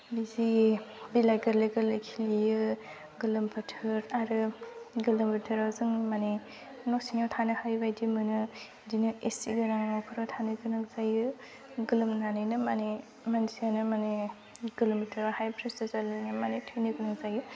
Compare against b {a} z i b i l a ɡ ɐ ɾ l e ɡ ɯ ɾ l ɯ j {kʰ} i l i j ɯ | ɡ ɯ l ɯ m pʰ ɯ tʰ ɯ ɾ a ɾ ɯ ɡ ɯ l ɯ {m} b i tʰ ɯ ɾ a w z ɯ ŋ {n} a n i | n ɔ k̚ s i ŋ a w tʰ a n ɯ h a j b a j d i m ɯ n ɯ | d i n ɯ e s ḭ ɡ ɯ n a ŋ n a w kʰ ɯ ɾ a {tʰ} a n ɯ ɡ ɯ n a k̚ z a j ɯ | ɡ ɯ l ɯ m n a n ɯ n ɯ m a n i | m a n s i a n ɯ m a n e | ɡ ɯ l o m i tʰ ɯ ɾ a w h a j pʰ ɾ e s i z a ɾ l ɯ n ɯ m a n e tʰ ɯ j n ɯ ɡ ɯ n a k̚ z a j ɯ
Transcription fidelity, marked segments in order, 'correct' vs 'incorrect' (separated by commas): incorrect, correct, correct, incorrect, correct